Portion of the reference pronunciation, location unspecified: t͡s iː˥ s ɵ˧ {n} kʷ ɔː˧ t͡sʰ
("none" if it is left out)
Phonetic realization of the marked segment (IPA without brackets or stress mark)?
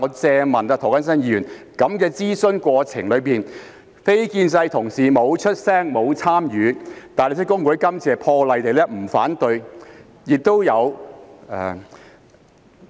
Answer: n